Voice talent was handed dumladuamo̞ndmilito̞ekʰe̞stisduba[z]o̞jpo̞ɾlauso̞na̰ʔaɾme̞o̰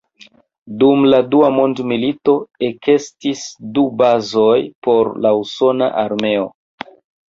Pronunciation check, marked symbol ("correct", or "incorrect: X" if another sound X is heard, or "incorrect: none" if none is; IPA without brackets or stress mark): correct